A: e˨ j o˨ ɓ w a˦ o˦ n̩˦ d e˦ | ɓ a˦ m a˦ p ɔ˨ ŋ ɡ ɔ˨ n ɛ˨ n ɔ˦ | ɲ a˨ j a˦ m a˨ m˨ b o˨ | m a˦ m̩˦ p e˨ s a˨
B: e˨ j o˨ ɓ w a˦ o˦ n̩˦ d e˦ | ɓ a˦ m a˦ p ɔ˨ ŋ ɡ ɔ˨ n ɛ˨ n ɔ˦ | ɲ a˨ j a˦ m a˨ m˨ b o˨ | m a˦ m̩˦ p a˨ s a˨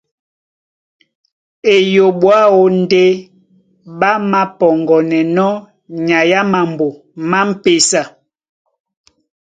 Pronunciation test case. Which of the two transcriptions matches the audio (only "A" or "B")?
A